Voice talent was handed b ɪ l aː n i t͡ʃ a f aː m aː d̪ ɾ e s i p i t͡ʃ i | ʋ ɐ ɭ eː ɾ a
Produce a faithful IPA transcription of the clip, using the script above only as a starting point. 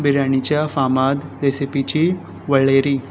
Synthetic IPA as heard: b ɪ ɾ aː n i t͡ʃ a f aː m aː d̪ ɾ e s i p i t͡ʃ i | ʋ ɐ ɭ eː ɾ i